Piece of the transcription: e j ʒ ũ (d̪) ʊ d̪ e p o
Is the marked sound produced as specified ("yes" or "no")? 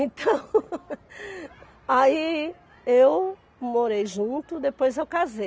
no